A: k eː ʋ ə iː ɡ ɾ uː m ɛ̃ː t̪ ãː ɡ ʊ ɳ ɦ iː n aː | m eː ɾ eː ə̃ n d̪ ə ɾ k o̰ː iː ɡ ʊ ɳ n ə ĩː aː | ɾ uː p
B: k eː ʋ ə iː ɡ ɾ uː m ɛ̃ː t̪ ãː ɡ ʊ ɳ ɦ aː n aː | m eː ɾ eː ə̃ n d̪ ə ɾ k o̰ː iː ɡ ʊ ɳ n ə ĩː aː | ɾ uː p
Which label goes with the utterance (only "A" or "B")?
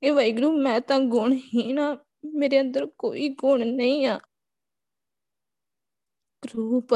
A